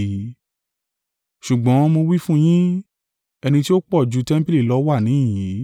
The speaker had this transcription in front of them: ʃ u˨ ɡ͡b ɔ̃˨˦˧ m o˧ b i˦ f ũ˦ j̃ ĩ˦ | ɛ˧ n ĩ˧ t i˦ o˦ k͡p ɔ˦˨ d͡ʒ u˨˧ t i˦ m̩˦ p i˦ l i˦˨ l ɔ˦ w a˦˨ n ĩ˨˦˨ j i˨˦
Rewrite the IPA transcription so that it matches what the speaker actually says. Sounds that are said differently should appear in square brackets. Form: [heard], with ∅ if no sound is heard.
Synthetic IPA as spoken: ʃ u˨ ɡ͡b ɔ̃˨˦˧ m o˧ [w] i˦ f ũ˦ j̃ ĩ˦ | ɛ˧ n ĩ˧ t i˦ o˦ k͡p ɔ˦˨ d͡ʒ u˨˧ t [ɛ˦] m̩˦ p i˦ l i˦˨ l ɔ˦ w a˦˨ n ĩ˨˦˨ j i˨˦